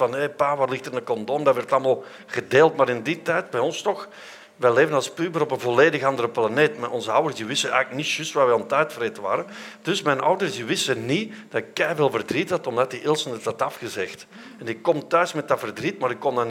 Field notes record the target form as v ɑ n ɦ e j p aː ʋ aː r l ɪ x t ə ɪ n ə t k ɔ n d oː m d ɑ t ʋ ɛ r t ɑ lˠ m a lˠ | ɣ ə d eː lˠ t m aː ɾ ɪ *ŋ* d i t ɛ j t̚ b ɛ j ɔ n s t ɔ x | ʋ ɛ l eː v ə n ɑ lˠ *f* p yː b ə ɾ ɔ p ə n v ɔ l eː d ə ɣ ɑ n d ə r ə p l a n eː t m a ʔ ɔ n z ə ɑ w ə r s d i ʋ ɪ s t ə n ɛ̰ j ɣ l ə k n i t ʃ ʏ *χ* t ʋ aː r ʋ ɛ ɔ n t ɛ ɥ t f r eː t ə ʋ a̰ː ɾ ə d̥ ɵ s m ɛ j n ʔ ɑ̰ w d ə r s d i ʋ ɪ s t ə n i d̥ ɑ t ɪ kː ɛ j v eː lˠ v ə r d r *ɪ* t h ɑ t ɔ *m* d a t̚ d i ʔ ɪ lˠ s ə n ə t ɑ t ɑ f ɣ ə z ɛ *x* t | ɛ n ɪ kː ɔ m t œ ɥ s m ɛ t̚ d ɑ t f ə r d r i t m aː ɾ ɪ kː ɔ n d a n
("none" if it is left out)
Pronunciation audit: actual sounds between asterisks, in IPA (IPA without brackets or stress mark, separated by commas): n, s, s, i, m, x